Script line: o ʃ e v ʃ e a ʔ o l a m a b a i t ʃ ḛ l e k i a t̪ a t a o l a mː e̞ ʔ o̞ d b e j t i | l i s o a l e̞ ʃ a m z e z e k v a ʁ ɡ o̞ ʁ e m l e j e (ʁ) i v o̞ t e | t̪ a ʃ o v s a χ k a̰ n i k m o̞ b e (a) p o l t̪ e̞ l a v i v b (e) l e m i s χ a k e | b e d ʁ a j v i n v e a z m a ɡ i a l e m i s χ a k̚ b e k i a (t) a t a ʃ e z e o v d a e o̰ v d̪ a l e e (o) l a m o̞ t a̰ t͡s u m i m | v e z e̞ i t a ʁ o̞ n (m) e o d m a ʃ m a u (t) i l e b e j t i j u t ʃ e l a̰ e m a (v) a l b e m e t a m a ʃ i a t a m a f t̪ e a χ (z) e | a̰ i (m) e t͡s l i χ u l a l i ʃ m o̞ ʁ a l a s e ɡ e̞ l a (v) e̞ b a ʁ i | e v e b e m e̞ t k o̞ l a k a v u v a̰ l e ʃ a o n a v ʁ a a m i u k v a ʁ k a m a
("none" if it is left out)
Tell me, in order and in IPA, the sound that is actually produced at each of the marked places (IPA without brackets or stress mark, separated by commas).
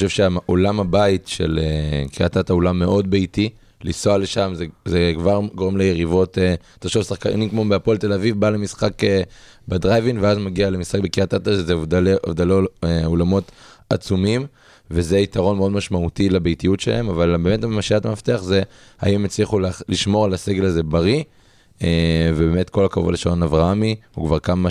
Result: ʁ, a, a, t, o, m, t, v, z, m, z